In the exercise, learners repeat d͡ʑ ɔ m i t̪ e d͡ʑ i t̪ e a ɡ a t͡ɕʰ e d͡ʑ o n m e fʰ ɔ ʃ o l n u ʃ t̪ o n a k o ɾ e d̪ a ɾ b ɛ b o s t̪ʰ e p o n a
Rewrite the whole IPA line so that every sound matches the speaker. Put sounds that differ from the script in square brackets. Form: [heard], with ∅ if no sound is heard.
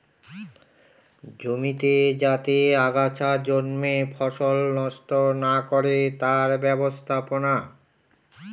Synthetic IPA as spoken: d͡ʑ [o] m i t̪ e d͡ʑ [a] t̪ e a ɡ a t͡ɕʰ [a] d͡ʑ o n m e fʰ ɔ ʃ o l n [ɔ] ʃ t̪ o n a k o ɾ e [t̪] a ɾ b ɛ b o s t̪ʰ [a] p o n a